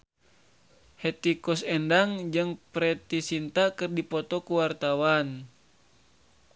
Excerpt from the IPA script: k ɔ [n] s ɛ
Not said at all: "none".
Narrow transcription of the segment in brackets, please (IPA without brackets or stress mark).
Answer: none